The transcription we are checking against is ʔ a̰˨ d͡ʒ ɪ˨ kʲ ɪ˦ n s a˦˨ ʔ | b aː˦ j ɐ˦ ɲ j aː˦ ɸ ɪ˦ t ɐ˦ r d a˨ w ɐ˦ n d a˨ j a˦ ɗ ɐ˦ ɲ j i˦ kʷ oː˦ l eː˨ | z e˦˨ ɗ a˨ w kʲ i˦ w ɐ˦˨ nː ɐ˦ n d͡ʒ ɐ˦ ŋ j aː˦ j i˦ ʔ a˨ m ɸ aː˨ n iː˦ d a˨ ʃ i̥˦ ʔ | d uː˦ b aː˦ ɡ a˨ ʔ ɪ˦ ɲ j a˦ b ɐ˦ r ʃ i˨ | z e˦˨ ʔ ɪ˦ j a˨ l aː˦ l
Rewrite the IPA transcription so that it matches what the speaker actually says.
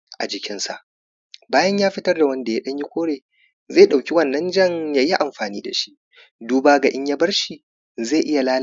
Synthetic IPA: ʔ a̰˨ d͡ʒ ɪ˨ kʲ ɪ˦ n s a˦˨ ʔ | b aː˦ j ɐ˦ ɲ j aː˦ ɸ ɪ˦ t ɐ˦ r d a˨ w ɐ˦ n d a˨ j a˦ ɗ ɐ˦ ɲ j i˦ kʷ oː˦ ɽ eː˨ | z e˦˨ ɗ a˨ w kʲ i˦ w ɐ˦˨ nː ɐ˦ n d͡ʒ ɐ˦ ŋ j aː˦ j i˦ ʔ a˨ m ɸ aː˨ n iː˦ d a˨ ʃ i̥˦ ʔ | d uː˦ b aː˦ ɡ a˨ ʔ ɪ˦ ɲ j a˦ b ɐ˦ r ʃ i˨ | z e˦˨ ʔ ɪ˦ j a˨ l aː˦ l